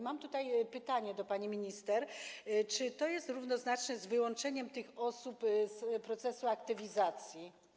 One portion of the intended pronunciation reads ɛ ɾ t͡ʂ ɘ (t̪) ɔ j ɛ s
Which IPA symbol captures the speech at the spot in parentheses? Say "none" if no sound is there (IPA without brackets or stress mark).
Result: t̪